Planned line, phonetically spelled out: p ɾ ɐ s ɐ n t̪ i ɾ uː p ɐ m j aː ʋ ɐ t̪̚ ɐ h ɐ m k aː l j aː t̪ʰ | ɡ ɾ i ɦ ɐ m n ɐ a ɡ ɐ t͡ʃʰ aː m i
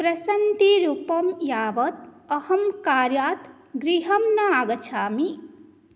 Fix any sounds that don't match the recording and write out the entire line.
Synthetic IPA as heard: p ɾ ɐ s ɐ n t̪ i ɾ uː p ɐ m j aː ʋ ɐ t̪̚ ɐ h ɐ m k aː ɾ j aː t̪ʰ | ɡ ɾ i ɦ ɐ m n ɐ a ɡ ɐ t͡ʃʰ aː m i